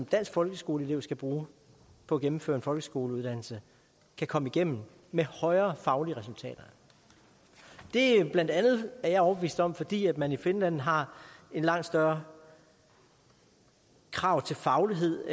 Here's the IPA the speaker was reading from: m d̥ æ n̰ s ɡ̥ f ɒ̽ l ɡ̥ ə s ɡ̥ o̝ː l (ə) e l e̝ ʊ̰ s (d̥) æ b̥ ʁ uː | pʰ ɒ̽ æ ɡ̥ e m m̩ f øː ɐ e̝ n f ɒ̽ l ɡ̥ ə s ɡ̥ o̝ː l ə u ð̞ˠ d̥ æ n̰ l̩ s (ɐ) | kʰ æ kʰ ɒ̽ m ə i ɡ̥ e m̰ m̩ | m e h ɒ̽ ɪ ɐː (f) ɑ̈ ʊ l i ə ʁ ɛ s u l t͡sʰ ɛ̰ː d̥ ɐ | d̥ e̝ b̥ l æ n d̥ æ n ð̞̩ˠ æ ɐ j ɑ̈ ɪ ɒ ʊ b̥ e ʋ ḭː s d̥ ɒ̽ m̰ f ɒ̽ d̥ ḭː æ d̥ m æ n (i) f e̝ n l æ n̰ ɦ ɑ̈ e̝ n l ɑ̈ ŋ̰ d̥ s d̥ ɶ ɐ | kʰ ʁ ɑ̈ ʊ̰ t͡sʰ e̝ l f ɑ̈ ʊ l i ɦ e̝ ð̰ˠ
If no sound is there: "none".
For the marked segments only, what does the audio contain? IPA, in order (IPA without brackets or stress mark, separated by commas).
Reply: ə, ɡ̥, ə, f, i